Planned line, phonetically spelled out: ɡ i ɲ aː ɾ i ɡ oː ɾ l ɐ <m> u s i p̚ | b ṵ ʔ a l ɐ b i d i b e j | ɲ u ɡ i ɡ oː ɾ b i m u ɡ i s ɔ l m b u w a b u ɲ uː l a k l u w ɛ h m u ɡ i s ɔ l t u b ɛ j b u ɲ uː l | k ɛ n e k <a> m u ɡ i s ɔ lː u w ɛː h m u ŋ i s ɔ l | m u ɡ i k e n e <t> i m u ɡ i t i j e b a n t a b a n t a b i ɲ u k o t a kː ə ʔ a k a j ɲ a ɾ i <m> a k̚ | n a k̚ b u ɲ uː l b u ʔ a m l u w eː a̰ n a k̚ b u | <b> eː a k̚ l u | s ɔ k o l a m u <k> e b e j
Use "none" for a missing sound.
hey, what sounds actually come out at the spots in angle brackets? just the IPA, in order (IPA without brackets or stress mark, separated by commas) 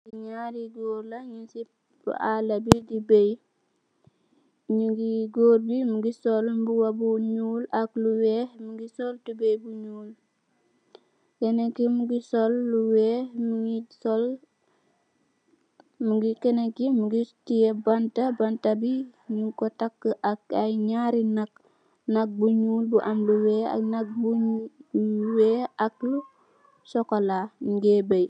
ɲ, i, k, n, w, ɡ